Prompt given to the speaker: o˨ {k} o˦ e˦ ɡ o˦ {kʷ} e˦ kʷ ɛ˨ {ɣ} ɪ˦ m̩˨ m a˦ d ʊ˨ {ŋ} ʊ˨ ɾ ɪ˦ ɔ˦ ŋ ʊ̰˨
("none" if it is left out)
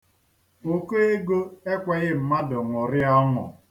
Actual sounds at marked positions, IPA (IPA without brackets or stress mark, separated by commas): k, none, ɣ, ŋ